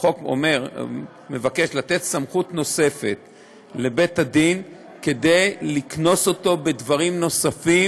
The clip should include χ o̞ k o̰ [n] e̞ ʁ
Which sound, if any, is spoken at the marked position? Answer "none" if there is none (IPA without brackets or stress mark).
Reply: m